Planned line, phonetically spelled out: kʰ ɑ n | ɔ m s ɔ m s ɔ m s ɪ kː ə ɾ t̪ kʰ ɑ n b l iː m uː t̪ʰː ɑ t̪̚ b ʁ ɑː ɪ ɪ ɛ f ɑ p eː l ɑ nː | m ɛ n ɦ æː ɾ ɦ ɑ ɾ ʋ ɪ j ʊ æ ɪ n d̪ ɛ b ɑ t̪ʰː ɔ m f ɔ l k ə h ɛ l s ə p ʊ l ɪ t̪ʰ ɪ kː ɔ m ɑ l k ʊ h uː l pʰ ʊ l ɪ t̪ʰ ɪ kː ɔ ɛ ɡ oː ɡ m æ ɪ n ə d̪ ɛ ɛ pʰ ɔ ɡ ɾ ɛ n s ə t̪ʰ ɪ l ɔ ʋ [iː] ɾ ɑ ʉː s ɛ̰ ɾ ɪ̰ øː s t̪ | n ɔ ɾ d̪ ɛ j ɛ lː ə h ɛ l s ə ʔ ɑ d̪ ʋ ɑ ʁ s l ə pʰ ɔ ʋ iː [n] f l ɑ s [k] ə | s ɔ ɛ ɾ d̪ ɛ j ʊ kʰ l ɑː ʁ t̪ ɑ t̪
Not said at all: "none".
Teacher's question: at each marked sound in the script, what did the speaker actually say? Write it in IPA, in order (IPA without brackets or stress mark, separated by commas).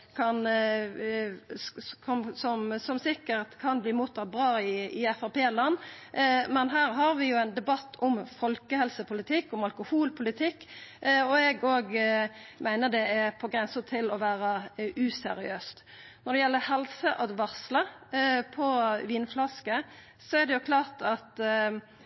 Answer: æː, n, k